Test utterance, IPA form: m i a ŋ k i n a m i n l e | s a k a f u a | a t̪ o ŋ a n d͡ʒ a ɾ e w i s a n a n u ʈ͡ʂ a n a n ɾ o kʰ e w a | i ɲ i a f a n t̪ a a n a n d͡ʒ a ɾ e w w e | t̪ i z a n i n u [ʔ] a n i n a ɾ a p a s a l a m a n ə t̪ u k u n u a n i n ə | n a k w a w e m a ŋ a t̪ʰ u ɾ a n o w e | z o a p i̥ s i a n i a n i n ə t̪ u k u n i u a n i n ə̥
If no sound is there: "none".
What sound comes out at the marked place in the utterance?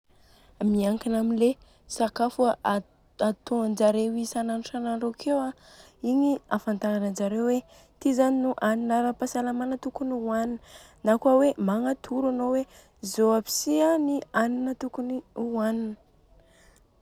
ʔ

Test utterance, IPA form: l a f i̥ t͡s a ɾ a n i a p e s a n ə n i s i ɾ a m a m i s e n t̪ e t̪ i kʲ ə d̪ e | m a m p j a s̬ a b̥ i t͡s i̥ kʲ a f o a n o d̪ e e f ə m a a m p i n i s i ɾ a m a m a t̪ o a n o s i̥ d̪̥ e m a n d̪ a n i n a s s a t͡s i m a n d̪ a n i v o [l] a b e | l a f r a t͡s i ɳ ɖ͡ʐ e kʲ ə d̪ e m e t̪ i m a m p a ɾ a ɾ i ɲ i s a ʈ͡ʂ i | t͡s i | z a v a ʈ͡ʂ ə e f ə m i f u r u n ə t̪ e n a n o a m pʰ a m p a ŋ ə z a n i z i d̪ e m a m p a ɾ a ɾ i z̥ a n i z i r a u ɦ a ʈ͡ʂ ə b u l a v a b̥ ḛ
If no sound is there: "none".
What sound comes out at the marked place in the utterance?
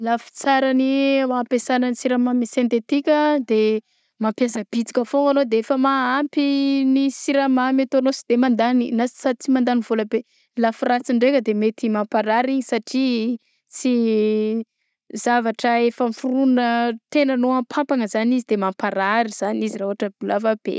l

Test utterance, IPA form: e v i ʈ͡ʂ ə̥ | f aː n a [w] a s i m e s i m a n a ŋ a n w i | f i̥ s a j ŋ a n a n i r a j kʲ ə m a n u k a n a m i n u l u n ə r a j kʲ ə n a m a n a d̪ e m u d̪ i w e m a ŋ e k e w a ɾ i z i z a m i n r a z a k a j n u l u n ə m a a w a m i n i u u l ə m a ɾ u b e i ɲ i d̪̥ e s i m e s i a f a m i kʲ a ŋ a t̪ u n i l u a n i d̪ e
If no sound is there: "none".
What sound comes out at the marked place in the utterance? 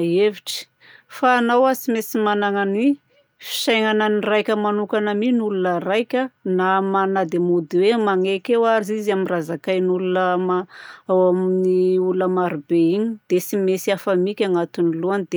w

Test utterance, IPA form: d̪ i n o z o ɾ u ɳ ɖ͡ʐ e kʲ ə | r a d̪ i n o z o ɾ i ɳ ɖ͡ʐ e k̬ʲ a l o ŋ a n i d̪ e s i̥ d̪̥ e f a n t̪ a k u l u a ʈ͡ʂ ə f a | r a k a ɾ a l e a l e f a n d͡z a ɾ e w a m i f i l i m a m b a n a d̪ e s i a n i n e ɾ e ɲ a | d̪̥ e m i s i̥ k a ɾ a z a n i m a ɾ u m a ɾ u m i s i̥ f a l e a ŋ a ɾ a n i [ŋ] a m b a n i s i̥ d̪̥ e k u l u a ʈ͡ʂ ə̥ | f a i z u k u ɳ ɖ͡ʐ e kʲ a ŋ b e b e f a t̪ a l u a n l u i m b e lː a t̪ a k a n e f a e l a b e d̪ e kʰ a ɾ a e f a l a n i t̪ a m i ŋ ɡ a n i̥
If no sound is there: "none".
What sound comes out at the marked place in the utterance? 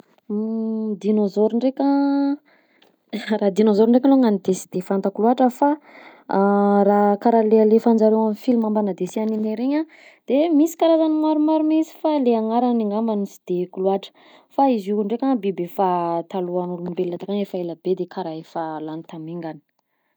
ŋ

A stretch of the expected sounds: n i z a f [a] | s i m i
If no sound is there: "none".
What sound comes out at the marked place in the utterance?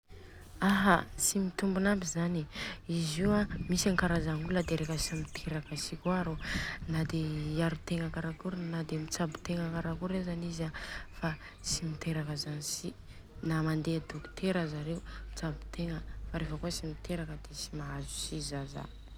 a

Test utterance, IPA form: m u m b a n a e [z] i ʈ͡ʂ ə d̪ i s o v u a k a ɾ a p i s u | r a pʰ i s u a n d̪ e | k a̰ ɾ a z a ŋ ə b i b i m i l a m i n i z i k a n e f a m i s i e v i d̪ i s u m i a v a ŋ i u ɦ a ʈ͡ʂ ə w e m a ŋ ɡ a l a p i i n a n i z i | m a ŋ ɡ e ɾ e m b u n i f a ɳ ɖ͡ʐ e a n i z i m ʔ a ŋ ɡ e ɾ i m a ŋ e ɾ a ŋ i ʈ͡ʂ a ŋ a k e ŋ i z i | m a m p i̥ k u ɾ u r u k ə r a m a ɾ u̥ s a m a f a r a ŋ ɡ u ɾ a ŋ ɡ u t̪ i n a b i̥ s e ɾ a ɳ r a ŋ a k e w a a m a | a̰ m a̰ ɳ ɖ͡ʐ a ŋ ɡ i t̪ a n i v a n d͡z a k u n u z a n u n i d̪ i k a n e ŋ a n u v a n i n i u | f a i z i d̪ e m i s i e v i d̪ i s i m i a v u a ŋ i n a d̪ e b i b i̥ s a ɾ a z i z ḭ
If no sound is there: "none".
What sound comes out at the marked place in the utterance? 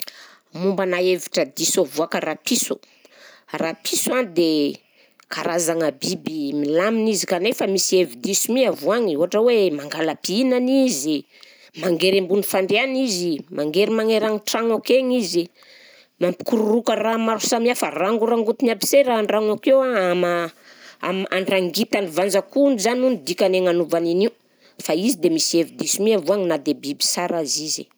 v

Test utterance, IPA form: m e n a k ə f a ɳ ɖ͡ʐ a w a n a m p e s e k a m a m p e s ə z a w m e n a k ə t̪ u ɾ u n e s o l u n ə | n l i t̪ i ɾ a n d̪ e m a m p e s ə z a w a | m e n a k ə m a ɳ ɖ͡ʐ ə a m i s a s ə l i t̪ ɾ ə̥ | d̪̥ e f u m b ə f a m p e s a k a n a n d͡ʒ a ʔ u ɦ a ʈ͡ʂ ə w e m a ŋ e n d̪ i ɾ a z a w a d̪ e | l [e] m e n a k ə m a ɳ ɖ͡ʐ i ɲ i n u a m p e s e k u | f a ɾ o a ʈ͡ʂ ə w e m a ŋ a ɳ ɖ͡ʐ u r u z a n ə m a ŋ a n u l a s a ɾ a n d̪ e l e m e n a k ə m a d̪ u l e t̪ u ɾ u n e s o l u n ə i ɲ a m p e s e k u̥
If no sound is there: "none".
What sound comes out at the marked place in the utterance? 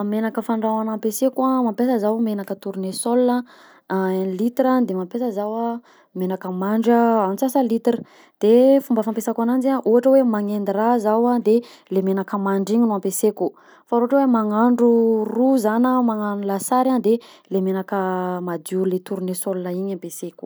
e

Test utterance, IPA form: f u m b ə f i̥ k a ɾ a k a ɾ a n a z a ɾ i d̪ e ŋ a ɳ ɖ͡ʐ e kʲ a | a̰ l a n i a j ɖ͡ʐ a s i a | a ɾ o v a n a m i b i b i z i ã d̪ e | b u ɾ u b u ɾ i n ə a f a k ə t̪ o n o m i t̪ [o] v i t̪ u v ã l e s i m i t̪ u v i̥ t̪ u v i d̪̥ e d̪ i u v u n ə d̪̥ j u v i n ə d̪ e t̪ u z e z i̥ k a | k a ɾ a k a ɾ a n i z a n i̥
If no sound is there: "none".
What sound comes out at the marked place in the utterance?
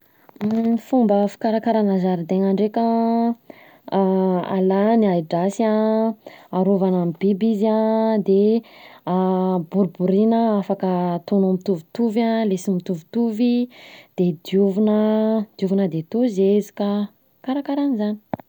u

